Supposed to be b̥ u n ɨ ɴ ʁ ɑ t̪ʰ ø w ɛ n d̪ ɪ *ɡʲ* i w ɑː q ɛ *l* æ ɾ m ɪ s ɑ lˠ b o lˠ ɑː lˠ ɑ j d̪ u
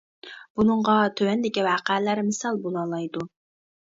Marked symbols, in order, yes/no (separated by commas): no, yes